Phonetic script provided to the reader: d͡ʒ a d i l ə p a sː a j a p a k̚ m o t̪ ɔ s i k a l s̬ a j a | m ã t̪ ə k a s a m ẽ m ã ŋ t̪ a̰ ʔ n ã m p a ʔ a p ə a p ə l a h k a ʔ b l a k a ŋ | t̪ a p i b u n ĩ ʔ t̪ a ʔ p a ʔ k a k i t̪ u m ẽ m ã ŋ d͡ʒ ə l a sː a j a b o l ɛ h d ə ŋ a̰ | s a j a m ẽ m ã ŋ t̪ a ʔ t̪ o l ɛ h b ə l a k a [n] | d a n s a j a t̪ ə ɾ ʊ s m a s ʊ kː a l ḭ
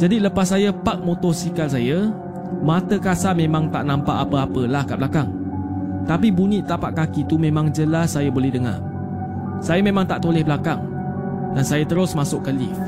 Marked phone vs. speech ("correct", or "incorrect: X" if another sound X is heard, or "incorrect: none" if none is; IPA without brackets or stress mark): incorrect: ŋ